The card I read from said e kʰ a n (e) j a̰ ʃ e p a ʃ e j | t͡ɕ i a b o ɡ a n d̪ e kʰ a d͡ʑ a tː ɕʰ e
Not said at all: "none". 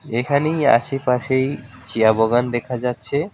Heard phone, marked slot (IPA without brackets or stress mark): e